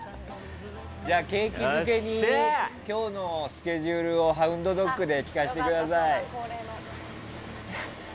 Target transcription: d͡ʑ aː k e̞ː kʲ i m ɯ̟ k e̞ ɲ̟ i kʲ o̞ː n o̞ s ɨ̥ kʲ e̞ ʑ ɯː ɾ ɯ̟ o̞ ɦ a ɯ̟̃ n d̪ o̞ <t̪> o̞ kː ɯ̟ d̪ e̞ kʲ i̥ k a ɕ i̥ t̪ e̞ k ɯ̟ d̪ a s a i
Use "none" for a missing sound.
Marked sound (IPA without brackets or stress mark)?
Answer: d̪